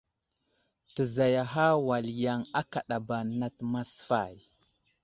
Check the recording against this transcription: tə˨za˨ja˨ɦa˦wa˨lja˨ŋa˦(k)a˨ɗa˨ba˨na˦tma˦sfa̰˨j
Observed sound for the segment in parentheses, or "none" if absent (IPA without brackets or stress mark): k